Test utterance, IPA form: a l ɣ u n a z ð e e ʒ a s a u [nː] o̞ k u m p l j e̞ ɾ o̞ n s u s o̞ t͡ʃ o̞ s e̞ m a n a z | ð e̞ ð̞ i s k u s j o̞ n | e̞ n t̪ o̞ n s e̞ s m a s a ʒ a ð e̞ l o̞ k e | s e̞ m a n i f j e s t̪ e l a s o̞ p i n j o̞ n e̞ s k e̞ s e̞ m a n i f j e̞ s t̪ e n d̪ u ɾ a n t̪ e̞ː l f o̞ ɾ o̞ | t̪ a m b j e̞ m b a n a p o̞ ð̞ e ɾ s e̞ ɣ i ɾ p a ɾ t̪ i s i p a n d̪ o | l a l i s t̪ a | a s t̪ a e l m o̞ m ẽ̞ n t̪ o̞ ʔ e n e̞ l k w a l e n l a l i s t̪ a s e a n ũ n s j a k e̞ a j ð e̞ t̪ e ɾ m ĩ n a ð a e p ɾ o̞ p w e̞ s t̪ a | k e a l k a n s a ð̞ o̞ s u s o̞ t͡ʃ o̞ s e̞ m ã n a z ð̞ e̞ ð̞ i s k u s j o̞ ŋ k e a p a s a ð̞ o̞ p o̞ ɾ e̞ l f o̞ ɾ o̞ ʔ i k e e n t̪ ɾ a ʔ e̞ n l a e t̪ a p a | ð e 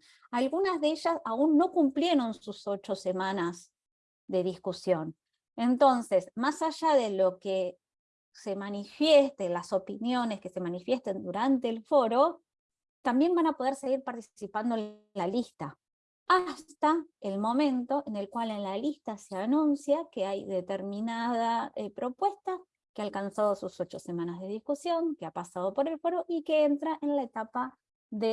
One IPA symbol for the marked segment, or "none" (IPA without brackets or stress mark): nː